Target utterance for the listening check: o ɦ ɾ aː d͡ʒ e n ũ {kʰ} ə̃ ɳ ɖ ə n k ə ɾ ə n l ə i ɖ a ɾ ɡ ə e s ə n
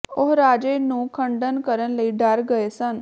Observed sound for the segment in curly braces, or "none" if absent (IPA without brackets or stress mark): kʰ